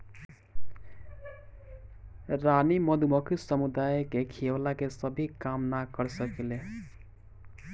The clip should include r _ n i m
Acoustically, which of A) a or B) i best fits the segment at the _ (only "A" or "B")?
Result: A